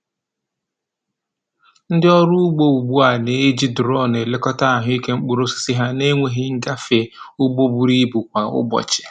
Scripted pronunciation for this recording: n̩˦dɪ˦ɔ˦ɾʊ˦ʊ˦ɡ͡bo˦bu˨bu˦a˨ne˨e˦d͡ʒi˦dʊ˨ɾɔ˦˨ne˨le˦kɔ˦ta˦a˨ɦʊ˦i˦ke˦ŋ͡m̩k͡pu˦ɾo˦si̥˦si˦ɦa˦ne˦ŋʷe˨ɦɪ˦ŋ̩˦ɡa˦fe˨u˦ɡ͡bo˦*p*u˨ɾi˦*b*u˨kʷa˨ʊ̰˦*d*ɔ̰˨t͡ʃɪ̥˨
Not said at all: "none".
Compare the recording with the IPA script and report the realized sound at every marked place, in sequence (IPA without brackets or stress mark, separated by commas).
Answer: b, b, b